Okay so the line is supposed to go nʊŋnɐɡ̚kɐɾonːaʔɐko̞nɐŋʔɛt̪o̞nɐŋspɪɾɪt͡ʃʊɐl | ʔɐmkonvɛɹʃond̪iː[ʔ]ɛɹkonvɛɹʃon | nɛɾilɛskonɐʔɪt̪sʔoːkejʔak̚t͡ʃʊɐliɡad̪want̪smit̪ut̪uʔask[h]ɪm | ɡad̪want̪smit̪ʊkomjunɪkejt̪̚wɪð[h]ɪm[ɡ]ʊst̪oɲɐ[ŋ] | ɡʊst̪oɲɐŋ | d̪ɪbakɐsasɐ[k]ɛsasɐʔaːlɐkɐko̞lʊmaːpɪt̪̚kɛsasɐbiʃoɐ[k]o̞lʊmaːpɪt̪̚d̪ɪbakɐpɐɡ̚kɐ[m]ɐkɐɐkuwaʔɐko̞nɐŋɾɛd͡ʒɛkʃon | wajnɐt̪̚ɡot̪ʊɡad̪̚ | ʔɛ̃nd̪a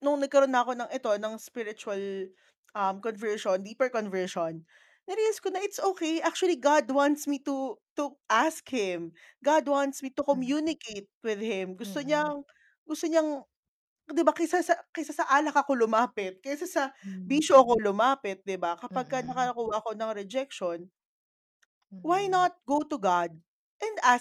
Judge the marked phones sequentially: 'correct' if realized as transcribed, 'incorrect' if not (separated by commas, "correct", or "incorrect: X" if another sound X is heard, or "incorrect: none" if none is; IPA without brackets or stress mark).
incorrect: p, correct, correct, correct, correct, correct, correct, incorrect: n